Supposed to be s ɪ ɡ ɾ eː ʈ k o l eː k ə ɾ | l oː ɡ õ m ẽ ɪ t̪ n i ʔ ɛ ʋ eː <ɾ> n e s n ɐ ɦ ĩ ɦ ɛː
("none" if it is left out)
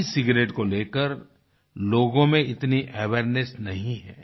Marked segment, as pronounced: ɾ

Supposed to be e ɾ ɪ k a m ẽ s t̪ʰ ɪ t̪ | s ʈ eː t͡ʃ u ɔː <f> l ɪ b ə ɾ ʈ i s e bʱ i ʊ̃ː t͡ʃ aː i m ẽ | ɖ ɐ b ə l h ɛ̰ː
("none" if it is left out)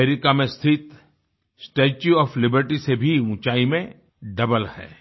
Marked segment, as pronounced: f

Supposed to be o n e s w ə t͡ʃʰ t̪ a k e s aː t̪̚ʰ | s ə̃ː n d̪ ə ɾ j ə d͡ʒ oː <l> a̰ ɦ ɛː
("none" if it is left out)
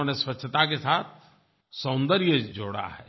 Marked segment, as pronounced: ɽ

